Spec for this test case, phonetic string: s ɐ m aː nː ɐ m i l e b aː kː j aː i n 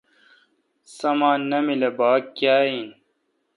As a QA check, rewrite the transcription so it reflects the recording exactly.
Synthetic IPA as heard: s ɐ m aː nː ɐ m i l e b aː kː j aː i n

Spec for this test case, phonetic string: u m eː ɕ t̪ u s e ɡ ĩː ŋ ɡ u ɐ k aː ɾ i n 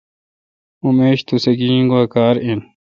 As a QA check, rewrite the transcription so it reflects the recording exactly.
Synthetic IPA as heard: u m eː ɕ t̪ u s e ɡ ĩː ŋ ɡ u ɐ k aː ɾ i n

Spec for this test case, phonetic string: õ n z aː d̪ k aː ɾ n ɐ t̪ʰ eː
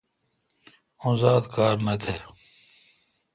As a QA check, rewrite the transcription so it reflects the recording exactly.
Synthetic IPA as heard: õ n z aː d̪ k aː ɾ n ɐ t̪ʰ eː

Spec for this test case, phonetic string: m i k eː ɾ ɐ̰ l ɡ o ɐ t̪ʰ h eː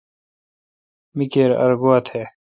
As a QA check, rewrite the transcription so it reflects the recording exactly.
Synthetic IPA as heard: m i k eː ɾ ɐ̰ ɾ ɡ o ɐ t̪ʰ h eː

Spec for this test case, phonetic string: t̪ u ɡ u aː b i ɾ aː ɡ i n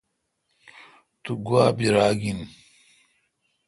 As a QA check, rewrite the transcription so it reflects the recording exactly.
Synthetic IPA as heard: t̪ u ɡ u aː b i ɾ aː ɡ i n

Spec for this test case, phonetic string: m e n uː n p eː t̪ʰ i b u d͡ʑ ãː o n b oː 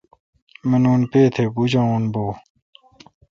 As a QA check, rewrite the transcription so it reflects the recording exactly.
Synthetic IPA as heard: m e n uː n p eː t̪ʰ e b u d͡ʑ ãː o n b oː

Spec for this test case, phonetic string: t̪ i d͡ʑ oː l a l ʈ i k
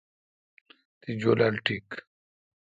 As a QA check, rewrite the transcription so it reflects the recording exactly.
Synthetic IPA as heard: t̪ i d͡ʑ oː l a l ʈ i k

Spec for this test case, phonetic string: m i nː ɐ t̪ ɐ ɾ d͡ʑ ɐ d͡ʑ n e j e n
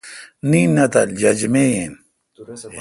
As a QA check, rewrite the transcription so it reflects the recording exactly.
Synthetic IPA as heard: n i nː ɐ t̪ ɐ l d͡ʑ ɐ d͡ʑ m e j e n

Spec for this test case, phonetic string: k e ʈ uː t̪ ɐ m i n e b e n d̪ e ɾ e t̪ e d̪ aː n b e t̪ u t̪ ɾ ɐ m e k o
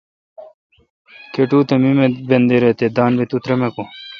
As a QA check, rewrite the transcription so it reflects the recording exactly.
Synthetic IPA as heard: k e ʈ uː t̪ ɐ m i m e b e n d̪ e ɾ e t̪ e d̪ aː n b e t̪ u t̪ ɾ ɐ m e k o

